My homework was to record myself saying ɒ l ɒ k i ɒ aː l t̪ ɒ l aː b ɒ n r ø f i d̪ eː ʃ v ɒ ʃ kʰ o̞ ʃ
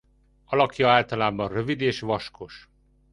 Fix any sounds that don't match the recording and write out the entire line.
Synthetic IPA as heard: ɒ l ɒ k j ɒ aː l t̪ ɒ l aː b ɒ n r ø v i d̪ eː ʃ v ɒ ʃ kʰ o̞ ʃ